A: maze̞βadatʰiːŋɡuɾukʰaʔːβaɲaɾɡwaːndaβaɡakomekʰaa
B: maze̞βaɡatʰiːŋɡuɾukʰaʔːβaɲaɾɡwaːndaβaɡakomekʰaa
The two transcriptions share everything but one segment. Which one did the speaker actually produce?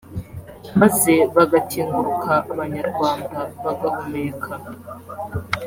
B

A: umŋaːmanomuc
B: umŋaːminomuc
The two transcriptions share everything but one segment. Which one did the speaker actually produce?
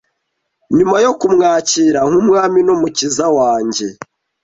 B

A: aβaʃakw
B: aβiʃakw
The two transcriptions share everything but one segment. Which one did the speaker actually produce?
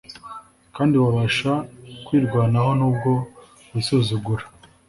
A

